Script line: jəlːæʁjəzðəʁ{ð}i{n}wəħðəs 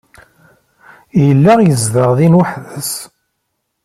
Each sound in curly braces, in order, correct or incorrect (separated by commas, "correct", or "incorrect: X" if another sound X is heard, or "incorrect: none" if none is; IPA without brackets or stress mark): correct, correct